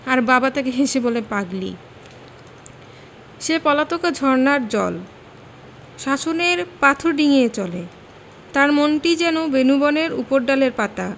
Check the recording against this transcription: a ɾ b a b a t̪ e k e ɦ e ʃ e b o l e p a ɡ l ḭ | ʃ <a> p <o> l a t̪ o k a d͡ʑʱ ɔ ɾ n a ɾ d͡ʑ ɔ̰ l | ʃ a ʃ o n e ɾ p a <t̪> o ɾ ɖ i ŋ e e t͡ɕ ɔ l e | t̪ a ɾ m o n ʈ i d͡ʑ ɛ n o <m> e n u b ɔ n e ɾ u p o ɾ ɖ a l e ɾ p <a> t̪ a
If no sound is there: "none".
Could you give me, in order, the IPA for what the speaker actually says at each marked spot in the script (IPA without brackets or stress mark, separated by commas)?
e, ɔ, t̪ʰ, b, a